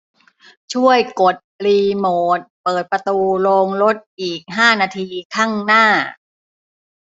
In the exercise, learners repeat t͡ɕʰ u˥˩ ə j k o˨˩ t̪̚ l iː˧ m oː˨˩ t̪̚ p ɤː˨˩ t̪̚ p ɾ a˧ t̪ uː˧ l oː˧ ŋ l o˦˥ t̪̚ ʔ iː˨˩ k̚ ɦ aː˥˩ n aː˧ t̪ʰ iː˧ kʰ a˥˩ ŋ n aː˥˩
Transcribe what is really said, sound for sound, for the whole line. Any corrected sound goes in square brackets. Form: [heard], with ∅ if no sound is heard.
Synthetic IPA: t͡ɕʰ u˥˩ ə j k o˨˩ t̪̚ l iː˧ m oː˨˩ t̪̚ p ɤː˨˩ t̪̚ p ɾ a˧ t̪ uː˧ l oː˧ ŋ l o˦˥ t̪̚ ʔ iː˨˩ k̚ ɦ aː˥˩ n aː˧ t̪ʰ iː˧ kʰ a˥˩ ŋ n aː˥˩